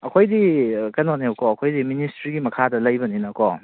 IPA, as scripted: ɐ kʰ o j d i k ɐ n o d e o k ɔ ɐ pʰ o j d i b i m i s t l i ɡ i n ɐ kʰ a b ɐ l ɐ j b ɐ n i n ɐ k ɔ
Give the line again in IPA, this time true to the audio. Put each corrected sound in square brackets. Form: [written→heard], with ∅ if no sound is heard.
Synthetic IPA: ɐ kʰ o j d i k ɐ n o [d→n] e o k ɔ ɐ [pʰ→kʰ] o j d i [b→m] i [m→n] i s t [l→ɾ] i ɡ i [n→m] ɐ kʰ a [b→d] ɐ l ɐ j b ɐ n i n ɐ k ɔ